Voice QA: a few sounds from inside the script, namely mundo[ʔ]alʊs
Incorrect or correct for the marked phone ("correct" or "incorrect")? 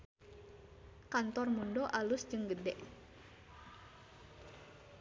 correct